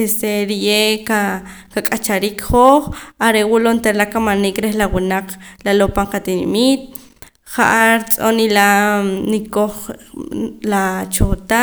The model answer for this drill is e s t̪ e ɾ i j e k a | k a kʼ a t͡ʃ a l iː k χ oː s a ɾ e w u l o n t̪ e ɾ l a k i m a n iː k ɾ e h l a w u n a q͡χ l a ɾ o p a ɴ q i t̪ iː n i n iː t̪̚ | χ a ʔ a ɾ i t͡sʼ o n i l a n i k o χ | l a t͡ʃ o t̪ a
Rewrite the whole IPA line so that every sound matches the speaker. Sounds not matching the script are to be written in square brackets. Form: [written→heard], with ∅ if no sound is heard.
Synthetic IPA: e s t̪ e ɾ i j e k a | k a kʼ a t͡ʃ a [l→ɾ] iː k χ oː [s→χ] a ɾ e w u l o n t̪ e ɾ l a k [i→a] m a n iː k ɾ e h l a w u n a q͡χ l a [ɾ→l] o p a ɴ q [i→a] t̪ [iː→i] n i [n→m] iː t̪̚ | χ a ʔ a ɾ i t͡sʼ o n i l a n i k o χ | l a t͡ʃ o t̪ a